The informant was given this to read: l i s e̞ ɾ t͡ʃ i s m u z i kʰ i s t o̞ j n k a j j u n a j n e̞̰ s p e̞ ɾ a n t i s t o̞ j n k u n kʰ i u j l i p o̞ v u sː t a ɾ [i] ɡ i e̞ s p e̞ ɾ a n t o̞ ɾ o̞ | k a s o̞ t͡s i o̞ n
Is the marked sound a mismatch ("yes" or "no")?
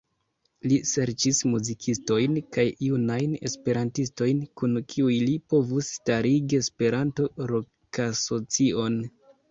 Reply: no